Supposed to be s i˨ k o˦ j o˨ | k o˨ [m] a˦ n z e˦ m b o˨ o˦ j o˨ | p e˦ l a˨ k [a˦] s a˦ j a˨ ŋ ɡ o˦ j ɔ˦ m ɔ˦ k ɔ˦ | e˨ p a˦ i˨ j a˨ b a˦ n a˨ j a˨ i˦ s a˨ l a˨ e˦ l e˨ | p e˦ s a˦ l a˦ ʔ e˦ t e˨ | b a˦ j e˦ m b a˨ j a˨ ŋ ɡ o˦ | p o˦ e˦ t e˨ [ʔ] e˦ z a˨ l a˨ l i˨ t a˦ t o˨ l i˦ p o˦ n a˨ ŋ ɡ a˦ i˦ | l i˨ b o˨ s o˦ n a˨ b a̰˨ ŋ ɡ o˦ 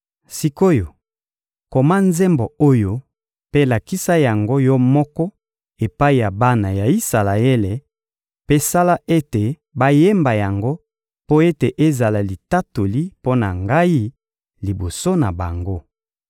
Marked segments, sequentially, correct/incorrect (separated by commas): correct, incorrect, correct